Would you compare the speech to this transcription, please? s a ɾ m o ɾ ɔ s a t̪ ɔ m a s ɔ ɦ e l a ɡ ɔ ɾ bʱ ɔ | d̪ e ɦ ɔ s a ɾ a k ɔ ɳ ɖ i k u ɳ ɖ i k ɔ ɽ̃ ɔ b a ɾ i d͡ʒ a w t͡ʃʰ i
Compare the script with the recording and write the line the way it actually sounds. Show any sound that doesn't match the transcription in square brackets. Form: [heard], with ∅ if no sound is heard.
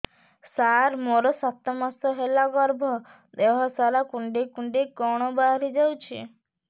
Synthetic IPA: s a ɾ m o ɾ ɔ s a t̪ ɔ m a s ɔ ɦ e l a ɡ ɔ ɾ bʱ ɔ | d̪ e ɦ ɔ s a ɾ a k [u] ɳ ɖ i k u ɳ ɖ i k ɔ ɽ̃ ɔ b a ɾ i d͡ʒ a w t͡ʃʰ i